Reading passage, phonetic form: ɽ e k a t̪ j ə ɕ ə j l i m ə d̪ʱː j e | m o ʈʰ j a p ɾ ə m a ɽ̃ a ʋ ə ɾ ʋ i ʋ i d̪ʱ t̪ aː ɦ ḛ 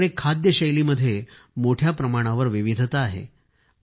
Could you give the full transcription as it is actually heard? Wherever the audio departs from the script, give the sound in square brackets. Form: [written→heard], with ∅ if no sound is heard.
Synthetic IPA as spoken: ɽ e [k→kʰ] a [t̪→d̪] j ə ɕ ə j l i m ə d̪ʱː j e | m o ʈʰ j a p ɾ ə m a ɽ̃ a ʋ ə ɾ ʋ i ʋ i d̪ʱ t̪ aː ɦ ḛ